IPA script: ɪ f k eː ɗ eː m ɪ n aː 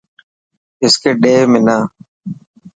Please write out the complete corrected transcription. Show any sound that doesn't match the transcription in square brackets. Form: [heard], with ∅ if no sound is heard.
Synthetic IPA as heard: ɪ [s] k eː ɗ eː m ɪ n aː